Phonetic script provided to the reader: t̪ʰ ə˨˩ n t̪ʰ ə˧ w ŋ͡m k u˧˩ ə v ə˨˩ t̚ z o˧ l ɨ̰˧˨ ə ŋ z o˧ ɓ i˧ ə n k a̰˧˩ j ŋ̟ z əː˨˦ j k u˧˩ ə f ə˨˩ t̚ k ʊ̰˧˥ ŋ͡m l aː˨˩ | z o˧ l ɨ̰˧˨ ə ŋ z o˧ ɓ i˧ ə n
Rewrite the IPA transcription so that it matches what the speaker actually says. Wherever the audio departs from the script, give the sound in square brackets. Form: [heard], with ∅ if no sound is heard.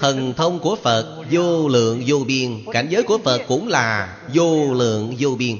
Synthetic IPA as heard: t̪ʰ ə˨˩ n t̪ʰ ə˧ w ŋ͡m k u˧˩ ə [f] ə˨˩ t̚ z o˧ l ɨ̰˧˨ ə ŋ z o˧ ɓ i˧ ə n k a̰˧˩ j ŋ̟ z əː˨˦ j k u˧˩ ə f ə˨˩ t̚ k ʊ̰˧˥ ŋ͡m l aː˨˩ | z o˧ l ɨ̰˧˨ ə ŋ z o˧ ɓ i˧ ə n